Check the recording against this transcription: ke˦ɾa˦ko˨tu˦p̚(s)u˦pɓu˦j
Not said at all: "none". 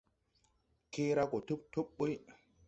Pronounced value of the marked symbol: t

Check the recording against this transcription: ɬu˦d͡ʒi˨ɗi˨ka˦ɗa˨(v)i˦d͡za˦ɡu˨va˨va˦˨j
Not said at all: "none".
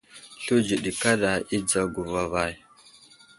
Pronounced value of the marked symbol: none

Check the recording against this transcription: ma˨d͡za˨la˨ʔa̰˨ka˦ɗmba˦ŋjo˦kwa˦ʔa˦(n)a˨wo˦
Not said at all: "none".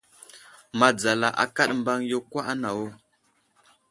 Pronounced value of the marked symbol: n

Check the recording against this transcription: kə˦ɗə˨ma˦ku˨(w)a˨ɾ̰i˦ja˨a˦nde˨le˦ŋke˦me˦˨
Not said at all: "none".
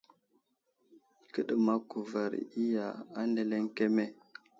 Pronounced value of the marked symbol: v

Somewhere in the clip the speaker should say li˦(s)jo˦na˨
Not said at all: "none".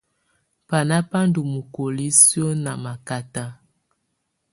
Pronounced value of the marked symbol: s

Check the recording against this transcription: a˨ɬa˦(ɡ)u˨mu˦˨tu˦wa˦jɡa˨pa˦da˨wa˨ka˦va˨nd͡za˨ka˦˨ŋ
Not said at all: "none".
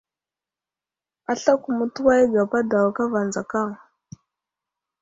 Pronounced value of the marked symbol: k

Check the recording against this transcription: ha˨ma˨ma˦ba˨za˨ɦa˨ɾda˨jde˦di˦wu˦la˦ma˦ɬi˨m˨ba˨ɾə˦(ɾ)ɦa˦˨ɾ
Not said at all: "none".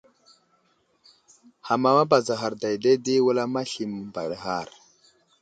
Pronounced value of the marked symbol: none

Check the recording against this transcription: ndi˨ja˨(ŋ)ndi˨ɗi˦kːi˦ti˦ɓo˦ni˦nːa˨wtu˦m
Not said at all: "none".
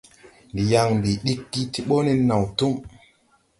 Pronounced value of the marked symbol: ŋ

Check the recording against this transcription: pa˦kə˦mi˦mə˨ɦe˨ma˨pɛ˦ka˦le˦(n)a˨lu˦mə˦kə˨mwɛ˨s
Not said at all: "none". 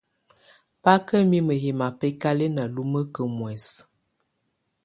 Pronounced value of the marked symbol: n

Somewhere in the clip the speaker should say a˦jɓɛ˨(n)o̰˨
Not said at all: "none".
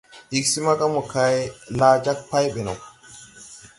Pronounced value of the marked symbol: n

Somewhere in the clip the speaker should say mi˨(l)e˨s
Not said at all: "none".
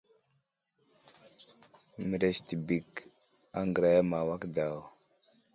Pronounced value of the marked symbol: ɾ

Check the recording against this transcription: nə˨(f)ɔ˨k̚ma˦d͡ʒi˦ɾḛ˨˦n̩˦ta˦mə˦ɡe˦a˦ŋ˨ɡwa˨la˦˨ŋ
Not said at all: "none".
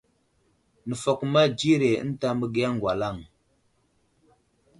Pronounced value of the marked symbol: f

